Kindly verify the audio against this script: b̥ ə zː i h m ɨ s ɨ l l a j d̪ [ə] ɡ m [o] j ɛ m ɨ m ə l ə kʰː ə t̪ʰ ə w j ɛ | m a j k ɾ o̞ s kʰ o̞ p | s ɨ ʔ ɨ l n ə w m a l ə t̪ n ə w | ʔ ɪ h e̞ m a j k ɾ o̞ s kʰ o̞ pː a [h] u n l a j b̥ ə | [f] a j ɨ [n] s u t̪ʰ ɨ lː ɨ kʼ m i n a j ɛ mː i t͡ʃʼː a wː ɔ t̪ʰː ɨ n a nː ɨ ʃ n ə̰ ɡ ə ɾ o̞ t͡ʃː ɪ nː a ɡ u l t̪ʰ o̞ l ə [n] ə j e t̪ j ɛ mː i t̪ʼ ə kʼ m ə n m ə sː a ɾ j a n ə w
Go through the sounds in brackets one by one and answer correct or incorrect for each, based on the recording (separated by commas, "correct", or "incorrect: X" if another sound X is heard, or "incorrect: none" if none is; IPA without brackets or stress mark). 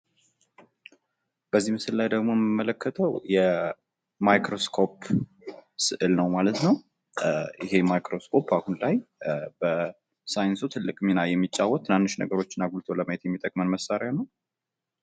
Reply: correct, correct, correct, incorrect: s, correct, incorrect: m